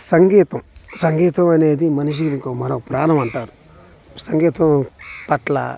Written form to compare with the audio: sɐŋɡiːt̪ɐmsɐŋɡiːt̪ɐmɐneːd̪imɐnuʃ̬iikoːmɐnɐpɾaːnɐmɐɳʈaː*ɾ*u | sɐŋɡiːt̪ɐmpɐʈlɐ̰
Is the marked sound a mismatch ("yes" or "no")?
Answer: no